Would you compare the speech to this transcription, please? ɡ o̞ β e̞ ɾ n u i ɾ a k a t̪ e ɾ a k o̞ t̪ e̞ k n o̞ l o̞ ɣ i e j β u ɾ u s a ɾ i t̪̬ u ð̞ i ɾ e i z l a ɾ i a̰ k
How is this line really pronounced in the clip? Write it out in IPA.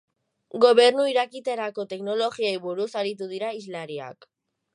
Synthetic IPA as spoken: ɡ o̞ β e̞ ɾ n u i ɾ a k i t̪ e ɾ a k o̞ t̪ e̞ k n o̞ l o̞ ɣ i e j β u ɾ u s a ɾ i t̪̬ u ð̞ i ɾ a i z l a ɾ i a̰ k

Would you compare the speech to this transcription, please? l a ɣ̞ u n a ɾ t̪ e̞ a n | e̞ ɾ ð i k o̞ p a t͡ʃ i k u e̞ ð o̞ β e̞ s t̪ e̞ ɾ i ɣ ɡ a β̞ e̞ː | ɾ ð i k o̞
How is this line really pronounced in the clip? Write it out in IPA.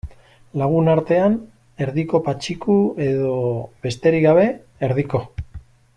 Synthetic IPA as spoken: l a ɣ̞ u n a ɾ t̪ e̞ a n | e̞ ɾ ð i k o̞ p a t͡ʃ i k u e̞ ð o̞ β e̞ s t̪ e̞ ɾ i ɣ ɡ a β̞ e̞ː | ɾ ð i k o̞

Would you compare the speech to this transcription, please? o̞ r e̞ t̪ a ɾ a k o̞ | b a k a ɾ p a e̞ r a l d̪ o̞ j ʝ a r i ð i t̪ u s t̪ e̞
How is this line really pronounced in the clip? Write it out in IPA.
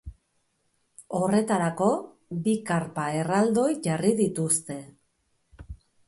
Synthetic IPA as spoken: o̞ r e̞ t̪ a ɾ a k o̞ | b i k a ɾ p a e̞ r a l d̪ o̞ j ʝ a r i ð i t̪ u s t̪ e̞

